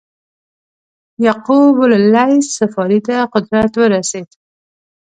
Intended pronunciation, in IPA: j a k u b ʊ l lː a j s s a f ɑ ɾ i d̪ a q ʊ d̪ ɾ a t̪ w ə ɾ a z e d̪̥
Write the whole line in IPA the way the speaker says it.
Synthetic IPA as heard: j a q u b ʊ l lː a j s s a f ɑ ɾ i t̪ a q ʊ d̪ ɾ a t̪ w ə ɾ a s e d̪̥